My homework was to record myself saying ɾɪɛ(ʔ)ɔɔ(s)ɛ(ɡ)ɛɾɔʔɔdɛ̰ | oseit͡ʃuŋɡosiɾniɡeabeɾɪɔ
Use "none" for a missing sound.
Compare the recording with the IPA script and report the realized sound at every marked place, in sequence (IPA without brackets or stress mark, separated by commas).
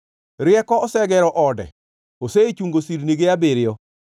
k, s, ɡ